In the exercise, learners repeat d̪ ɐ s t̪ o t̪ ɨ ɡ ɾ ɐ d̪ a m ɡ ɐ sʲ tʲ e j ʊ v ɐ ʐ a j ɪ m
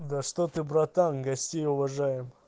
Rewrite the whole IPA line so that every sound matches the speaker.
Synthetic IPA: d̪ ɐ ʂ t̪ o t̪ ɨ b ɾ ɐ t̪ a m ɡ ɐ sʲ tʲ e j ʊ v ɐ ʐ a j ɪ m